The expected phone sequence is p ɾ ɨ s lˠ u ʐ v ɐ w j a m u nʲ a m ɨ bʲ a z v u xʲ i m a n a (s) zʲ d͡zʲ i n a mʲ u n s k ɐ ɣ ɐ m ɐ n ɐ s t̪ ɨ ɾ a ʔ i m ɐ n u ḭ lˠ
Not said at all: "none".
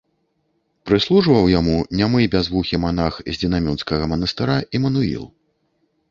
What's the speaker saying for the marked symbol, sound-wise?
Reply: x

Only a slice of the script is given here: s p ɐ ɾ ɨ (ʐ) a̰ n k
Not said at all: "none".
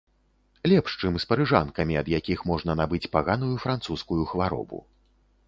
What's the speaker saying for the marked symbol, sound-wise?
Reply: ʐ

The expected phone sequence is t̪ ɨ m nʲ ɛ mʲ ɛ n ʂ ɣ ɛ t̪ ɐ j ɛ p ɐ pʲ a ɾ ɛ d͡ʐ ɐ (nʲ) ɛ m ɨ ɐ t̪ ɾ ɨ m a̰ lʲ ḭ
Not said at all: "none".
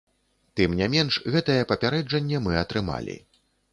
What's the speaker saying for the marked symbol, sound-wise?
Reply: nʲː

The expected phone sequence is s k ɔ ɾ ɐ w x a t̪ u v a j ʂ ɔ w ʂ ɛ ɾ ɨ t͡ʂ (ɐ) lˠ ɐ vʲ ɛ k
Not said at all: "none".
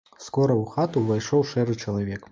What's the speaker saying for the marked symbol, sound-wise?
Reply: ɐ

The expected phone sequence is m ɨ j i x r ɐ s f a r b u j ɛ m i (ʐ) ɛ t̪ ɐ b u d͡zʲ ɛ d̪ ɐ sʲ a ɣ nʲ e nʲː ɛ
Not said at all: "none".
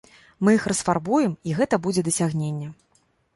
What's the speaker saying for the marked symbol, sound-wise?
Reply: ɣ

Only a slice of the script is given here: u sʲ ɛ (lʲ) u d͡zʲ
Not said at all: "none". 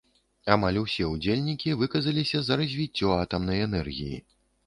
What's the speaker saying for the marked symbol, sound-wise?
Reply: none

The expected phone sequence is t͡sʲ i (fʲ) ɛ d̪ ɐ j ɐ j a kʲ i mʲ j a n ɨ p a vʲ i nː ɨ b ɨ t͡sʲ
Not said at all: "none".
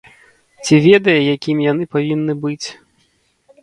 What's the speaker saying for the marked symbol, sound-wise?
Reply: vʲ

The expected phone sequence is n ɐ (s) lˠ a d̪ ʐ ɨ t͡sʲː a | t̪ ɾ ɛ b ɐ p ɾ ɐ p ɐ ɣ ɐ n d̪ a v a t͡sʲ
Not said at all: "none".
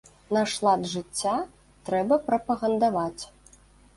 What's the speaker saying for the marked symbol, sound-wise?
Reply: ʂ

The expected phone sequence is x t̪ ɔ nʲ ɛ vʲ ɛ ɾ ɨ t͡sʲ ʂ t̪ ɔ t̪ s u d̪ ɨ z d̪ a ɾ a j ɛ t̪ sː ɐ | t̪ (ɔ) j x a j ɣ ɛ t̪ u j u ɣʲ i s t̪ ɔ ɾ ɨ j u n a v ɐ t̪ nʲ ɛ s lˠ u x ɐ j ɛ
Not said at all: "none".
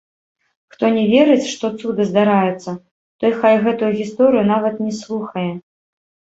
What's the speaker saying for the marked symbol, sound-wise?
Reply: ɔ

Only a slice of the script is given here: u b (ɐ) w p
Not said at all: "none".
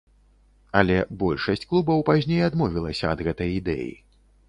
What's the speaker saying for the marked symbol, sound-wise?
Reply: ɐ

